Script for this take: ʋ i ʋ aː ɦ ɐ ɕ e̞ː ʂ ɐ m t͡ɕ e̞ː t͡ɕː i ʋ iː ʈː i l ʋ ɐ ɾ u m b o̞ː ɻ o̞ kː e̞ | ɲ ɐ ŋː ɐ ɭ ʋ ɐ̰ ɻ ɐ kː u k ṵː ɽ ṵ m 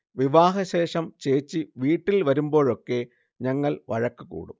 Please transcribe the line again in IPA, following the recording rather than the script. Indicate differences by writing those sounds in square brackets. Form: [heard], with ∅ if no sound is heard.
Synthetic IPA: ʋ i ʋ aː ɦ ɐ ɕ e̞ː ʂ ɐ m t͡ɕ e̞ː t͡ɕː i ʋ iː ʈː i l ʋ ɐ ɾ u m b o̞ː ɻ o̞ kː e̞ | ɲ ɐ ŋː ɐ ɭ ʋ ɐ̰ ɻ ɐ kː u k ṵː ɽ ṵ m